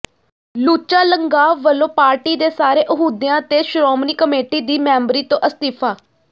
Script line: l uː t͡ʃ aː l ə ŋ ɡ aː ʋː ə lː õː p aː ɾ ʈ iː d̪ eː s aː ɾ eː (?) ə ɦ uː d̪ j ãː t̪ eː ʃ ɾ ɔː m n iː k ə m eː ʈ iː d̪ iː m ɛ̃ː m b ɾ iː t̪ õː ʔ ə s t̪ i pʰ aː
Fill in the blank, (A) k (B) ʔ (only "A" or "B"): B